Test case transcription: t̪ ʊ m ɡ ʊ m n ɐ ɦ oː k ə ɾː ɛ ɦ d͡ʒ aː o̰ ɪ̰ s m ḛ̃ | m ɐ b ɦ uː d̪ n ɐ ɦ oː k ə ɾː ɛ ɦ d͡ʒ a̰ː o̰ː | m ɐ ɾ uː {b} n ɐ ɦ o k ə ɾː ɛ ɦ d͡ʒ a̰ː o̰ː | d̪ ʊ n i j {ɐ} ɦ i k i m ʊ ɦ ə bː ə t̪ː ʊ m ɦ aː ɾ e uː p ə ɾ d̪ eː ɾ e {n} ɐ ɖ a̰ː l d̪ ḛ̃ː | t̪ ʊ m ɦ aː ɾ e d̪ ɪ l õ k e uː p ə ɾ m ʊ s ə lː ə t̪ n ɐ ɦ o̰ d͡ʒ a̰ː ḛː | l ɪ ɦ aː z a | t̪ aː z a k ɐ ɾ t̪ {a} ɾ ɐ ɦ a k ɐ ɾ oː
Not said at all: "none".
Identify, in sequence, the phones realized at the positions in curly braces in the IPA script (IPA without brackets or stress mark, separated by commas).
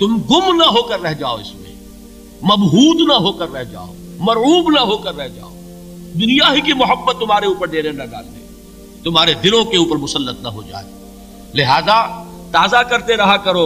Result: b, a, n, e